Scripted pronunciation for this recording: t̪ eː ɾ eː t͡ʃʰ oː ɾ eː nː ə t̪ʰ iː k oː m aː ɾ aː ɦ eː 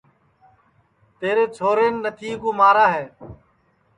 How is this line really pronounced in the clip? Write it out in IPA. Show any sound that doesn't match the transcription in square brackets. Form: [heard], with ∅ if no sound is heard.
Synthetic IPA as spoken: t̪ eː ɾ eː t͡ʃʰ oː ɾ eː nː ə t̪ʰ iː k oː m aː ɾ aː ɦ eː